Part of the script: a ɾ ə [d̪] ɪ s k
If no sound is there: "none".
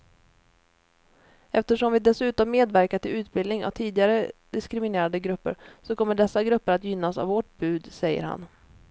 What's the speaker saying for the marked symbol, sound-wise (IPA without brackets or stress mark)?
d̪